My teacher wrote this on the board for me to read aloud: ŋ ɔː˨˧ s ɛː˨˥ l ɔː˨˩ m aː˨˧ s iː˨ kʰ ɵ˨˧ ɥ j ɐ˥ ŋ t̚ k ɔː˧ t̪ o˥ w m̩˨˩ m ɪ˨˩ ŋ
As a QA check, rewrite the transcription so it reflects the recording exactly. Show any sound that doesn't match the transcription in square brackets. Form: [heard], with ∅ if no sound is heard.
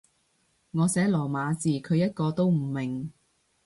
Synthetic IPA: ŋ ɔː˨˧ s ɛː˨˥ l ɔː˨˩ m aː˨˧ [t͡s] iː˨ kʰ ɵ˨˧ ɥ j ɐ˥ [∅] t̚ k ɔː˧ t̪ o˥ w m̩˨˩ m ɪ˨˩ ŋ